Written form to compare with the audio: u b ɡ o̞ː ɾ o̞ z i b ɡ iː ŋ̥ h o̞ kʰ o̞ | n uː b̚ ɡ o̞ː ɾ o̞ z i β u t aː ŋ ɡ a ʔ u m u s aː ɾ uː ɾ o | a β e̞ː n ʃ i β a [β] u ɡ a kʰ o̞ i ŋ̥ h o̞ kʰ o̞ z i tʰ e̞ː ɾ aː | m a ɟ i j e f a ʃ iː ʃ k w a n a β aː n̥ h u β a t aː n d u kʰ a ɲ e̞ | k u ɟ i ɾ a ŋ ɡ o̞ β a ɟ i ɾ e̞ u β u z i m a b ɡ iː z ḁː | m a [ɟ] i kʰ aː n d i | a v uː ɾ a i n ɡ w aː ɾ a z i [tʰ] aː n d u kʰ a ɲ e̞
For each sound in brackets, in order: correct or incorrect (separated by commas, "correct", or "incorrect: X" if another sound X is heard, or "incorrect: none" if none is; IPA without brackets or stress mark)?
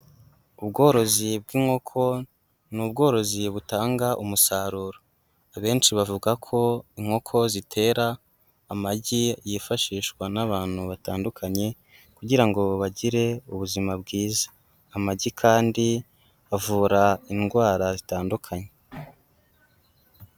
incorrect: v, correct, incorrect: t